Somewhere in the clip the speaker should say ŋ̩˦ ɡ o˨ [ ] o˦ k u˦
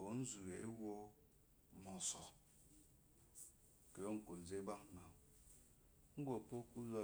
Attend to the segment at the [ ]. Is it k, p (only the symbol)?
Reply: p